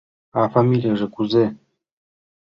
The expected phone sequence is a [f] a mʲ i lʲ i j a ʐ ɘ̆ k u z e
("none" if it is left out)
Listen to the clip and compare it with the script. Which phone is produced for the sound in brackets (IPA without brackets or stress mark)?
f